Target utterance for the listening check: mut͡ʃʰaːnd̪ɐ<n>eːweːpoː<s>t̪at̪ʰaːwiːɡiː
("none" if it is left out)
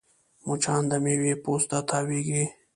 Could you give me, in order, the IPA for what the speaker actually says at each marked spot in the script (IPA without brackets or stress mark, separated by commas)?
m, s